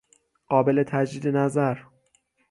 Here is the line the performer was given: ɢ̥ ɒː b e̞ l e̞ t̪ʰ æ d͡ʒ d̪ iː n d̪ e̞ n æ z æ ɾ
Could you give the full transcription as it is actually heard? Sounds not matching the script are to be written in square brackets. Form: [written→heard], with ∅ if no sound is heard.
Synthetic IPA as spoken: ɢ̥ ɒː b e̞ l e̞ t̪ʰ æ d͡ʒ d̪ iː [n→∅] d̪ e̞ n æ z æ ɾ